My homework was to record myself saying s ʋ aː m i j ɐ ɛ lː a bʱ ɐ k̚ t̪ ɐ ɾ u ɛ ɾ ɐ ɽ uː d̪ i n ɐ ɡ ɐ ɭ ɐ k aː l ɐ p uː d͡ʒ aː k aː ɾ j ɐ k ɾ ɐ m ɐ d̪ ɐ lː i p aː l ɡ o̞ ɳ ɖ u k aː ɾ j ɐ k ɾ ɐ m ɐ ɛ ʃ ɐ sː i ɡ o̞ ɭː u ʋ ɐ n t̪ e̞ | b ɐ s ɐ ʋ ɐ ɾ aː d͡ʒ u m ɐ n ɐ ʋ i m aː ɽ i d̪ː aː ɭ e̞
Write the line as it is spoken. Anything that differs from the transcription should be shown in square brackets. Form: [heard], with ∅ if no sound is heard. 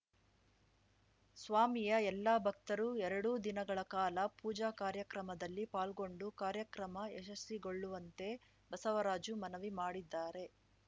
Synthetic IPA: s ʋ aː m i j ɐ ɛ lː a bʱ ɐ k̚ t̪ ɐ ɾ u ɛ ɾ ɐ ɽ uː d̪ i n ɐ ɡ ɐ ɭ ɐ k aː l ɐ p uː d͡ʒ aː k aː ɾ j ɐ k ɾ ɐ m ɐ d̪ ɐ lː i p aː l ɡ o̞ ɳ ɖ u k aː ɾ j ɐ k ɾ ɐ m ɐ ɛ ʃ ɐ sː i ɡ o̞ ɭː u ʋ ɐ n t̪ e̞ | b ɐ s ɐ ʋ ɐ ɾ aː d͡ʒ u m ɐ n ɐ ʋ i m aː ɽ i d̪ː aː [ɾ] e̞